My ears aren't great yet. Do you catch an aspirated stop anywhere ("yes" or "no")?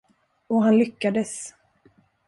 no